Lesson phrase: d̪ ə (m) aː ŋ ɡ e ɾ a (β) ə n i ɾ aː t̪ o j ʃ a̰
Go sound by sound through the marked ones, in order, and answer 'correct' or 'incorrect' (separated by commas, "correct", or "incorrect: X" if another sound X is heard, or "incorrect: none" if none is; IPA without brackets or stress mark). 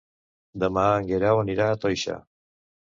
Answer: correct, incorrect: w